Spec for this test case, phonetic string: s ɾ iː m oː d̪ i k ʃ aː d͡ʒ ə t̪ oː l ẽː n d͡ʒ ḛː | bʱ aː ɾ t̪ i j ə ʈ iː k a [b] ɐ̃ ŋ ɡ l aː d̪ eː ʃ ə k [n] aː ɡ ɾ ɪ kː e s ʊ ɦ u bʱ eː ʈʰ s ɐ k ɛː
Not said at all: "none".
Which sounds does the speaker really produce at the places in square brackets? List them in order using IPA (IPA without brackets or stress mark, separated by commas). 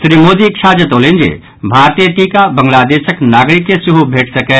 b, n